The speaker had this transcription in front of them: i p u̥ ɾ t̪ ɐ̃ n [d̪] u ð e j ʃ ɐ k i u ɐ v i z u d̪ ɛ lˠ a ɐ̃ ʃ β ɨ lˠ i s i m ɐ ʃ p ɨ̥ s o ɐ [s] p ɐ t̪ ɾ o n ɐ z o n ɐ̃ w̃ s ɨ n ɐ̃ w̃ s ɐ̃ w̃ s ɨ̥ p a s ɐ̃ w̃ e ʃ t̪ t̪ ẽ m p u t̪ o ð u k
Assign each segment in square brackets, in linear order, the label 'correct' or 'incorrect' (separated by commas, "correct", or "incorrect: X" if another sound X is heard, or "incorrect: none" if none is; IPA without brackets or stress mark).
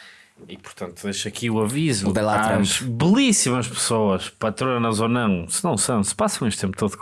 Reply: incorrect: t̪, incorrect: ʃ